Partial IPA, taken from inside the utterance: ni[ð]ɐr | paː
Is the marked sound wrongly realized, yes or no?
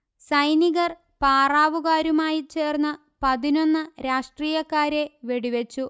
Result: yes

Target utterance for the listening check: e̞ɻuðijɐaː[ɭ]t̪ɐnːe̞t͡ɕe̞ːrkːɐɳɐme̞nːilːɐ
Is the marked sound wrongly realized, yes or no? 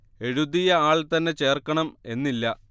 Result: no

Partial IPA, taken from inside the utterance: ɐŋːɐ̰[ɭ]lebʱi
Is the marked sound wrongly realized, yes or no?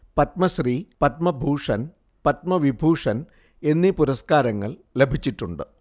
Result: no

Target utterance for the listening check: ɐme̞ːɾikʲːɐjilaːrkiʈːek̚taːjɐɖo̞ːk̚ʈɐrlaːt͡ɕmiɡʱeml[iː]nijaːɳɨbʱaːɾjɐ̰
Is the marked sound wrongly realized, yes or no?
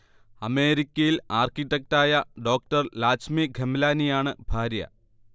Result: yes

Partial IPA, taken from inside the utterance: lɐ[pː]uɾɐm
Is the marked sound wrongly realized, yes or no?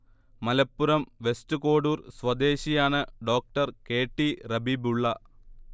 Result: no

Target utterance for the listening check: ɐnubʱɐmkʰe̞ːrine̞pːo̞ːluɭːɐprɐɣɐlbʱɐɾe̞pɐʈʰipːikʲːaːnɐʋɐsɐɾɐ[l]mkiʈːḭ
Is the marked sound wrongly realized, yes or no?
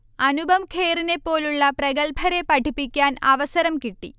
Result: yes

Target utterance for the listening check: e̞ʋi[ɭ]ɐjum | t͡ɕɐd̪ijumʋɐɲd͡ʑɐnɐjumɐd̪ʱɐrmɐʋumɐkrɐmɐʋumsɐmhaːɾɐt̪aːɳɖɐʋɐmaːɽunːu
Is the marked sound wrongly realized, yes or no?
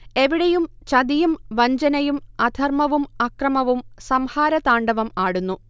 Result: yes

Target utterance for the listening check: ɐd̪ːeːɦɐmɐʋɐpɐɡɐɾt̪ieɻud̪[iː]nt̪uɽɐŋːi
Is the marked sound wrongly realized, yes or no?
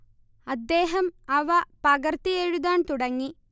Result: yes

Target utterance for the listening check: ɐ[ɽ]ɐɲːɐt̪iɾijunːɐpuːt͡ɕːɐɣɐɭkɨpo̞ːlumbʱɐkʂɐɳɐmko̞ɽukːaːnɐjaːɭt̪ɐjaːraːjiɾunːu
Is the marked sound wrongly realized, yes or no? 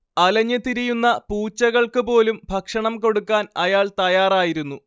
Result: yes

